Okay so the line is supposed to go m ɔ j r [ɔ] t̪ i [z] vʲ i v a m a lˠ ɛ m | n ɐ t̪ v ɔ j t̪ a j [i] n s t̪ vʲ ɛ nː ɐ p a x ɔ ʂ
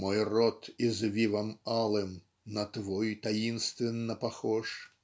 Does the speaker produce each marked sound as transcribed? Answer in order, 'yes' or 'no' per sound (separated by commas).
yes, yes, yes